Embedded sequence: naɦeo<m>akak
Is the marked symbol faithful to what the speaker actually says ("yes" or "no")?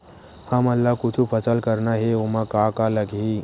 yes